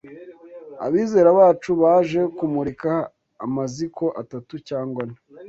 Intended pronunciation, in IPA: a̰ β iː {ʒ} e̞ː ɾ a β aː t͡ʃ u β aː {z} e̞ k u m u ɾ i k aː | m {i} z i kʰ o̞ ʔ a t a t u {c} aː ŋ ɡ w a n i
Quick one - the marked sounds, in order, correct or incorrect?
incorrect, incorrect, incorrect, correct

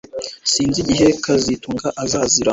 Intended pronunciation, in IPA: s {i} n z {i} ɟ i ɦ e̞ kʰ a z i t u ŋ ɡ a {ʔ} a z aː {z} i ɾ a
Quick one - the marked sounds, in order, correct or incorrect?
incorrect, correct, correct, correct

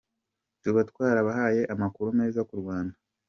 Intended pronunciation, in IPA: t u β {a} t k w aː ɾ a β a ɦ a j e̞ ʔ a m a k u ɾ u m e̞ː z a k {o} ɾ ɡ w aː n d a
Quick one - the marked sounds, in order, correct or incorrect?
correct, incorrect

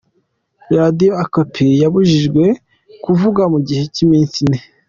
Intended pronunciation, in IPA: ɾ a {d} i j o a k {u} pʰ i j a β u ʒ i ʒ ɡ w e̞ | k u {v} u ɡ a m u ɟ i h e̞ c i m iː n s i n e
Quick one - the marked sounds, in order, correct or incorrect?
correct, incorrect, correct

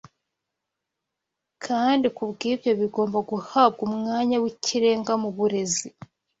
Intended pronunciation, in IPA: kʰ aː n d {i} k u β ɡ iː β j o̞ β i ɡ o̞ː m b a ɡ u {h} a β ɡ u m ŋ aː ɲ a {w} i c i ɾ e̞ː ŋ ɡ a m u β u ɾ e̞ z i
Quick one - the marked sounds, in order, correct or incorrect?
correct, correct, correct

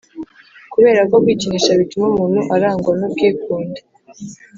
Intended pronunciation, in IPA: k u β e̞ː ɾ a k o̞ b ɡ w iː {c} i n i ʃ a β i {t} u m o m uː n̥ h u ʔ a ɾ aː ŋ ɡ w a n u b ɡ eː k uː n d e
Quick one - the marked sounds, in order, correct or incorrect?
correct, correct

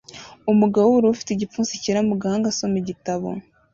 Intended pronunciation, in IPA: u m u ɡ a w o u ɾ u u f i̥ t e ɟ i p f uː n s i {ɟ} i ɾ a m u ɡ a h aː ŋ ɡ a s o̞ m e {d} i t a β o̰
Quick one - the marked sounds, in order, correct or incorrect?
incorrect, incorrect

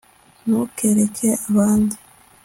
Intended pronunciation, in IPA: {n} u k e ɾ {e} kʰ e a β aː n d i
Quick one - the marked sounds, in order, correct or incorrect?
correct, correct

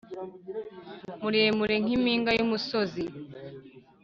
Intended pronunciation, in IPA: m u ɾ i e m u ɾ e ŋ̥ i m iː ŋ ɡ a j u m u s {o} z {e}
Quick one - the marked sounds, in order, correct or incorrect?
correct, incorrect

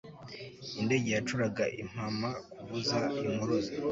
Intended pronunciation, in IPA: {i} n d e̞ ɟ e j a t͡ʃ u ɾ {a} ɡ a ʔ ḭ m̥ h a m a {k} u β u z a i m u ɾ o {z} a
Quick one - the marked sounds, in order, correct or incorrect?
correct, correct, correct, correct

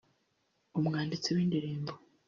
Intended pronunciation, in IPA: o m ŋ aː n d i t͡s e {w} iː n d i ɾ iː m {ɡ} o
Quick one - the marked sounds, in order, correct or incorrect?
correct, incorrect

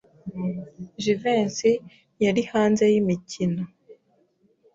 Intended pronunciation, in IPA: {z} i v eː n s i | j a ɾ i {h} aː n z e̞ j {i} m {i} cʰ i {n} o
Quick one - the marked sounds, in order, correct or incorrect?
incorrect, correct, correct, correct, correct

